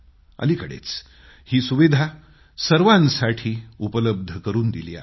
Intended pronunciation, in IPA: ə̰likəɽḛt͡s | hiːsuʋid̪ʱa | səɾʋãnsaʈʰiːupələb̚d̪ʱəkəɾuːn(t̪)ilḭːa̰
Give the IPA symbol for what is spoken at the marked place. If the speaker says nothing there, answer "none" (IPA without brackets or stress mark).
d̪